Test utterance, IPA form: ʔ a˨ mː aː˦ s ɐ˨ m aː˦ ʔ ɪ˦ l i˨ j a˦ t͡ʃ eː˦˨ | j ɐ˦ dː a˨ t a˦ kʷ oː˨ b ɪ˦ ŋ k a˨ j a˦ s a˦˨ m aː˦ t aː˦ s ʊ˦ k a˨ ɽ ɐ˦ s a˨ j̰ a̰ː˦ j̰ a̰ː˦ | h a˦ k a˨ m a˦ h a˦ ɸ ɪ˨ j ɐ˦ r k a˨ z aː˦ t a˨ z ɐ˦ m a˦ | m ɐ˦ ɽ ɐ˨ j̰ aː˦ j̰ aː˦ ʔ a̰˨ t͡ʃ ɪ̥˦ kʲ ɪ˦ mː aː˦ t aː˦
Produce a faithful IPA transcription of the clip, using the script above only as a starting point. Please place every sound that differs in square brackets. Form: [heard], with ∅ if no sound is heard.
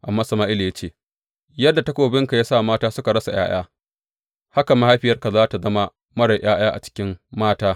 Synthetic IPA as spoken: ʔ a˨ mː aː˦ s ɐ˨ m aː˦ ʔ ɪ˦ l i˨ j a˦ t͡ʃ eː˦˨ | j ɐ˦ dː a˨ t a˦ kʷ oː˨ b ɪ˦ ŋ k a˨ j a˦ s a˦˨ m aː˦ t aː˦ s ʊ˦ k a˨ ɽ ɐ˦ s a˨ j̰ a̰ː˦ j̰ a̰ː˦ | h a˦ k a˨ m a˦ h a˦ ɸ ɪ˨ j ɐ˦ r k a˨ z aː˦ t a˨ z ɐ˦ m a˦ | m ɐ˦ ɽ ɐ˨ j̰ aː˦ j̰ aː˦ ʔ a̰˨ t͡ʃ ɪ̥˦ kʲ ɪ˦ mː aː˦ t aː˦